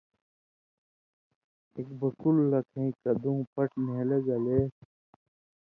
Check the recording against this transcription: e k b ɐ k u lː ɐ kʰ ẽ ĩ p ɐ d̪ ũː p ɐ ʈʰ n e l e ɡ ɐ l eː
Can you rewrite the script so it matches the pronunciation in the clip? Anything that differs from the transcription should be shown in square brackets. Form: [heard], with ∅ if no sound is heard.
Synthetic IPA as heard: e k b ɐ k u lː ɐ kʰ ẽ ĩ [k] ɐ d̪ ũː p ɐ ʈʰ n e l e ɡ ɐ l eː